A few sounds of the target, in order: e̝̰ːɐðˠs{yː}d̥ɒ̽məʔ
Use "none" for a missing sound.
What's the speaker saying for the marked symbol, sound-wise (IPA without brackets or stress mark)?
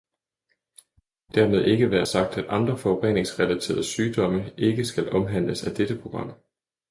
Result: yː